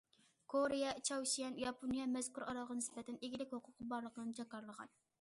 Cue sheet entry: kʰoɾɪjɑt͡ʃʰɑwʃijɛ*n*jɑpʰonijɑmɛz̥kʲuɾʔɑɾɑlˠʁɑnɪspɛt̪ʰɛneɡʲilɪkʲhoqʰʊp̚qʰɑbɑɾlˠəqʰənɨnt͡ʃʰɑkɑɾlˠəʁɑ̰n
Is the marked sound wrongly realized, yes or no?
no